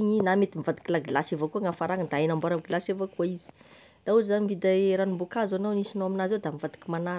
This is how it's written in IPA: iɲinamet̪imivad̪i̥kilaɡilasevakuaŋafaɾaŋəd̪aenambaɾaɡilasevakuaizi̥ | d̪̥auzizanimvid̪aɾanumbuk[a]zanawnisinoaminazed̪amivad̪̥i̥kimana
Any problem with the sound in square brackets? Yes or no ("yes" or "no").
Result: no